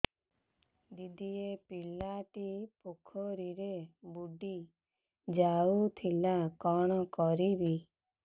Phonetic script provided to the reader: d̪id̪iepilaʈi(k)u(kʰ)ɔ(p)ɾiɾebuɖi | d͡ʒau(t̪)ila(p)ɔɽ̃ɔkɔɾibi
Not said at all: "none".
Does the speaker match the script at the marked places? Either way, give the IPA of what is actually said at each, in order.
p, kʰ, none, t̪ʰ, k

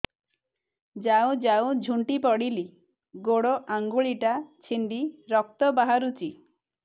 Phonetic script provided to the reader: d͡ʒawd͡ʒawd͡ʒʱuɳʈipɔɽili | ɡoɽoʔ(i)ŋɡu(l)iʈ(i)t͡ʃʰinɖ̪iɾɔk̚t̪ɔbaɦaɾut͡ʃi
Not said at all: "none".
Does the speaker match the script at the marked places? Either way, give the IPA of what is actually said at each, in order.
a, ɭ, a

